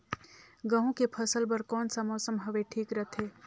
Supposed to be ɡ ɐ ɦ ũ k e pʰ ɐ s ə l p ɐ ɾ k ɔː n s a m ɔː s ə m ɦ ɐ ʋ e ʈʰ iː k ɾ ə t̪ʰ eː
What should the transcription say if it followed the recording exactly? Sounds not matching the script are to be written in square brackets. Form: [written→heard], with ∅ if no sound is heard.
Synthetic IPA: ɡ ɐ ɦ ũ k e pʰ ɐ s ə l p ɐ ɾ k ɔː n s a m ɔː s ə m ɦ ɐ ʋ e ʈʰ iː k ɾ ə t̪ʰ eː